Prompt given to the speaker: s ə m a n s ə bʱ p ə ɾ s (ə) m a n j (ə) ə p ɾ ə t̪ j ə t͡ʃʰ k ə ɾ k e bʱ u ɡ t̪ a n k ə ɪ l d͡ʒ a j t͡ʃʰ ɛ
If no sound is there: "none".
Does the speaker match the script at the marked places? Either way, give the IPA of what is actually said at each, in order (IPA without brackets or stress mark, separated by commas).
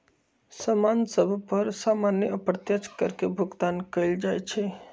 a, ə